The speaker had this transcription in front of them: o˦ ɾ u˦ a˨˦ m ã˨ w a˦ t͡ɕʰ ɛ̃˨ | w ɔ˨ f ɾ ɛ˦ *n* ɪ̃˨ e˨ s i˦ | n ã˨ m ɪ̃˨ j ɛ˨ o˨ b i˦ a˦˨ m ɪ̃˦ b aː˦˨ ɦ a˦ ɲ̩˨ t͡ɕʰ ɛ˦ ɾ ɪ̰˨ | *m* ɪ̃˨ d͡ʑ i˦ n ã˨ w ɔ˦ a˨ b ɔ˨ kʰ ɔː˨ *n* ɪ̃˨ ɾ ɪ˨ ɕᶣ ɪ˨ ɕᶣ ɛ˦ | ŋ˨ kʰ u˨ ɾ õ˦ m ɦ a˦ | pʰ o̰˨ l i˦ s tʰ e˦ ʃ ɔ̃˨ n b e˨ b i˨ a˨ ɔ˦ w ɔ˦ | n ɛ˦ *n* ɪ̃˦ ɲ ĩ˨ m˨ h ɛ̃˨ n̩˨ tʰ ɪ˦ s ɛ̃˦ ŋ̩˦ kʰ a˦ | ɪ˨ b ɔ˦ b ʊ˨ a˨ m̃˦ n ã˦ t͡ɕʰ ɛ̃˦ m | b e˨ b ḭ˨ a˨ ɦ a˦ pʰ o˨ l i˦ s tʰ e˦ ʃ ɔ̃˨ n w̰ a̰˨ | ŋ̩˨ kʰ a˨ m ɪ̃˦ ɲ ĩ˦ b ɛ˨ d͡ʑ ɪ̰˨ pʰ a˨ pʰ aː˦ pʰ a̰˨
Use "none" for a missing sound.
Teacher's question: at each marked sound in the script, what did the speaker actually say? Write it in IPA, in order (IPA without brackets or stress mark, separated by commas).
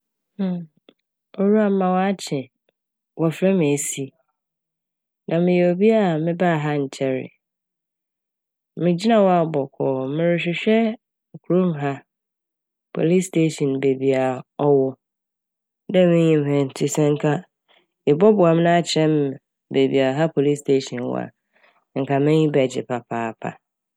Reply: m, m, m, m